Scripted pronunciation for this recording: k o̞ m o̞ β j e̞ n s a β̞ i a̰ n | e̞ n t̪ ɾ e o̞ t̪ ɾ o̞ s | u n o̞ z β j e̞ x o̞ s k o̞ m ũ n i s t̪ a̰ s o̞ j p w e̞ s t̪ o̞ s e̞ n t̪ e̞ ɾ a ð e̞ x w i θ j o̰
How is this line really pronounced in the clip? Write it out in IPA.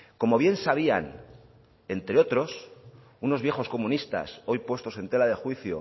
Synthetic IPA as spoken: k o̞ m o̞ β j e̞ n s a β̞ i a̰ n | e̞ n t̪ ɾ e o̞ t̪ ɾ o̞ s | u n o̞ z β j e̞ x o̞ s k o̞ m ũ n i s t̪ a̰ s o̞ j p w e̞ s t̪ o̞ s e̞ n t̪ e̞ l a ð e̞ x w i θ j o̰